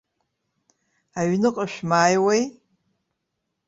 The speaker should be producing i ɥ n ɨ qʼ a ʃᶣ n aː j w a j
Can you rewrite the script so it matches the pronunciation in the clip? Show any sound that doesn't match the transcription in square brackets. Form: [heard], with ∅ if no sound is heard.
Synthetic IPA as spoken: [a] ɥ n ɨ qʼ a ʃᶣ [m] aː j w [e] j